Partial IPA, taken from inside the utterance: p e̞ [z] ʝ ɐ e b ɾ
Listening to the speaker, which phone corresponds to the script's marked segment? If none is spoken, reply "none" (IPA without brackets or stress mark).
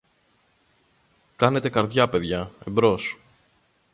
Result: ð